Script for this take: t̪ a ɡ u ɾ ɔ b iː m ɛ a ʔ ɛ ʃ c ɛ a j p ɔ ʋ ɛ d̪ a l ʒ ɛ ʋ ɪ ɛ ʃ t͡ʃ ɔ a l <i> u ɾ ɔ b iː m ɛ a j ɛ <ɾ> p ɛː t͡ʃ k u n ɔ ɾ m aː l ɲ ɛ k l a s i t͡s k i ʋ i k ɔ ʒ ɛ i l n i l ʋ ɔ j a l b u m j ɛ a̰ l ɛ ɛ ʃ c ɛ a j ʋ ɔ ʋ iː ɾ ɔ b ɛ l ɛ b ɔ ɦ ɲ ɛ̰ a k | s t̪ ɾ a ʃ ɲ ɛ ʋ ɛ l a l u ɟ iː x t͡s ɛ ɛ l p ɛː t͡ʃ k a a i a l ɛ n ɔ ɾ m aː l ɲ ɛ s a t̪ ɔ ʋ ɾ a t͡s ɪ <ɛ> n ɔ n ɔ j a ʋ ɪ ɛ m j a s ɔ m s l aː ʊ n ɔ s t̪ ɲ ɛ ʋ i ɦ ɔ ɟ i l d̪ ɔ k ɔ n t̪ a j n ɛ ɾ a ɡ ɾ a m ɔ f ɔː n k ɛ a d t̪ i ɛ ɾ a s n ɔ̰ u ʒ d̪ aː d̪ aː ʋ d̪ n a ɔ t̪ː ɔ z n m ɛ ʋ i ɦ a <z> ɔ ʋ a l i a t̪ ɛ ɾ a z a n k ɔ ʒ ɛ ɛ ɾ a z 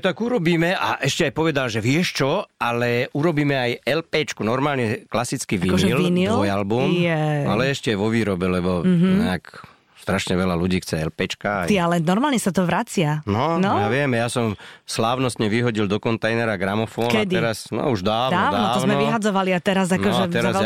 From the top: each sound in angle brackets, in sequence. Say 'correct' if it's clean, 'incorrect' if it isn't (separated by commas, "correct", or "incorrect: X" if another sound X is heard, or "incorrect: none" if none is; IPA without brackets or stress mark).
incorrect: ɛ, incorrect: l, incorrect: a, incorrect: d͡z